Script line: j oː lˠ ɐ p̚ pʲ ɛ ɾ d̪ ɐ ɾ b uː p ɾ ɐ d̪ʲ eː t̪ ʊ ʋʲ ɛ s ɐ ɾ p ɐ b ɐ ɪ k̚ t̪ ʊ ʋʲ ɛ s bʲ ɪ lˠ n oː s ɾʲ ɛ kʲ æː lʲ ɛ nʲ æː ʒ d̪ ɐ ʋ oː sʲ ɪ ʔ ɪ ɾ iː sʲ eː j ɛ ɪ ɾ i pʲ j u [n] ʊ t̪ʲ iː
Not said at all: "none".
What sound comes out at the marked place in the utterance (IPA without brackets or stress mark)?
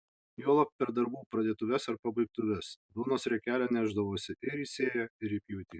none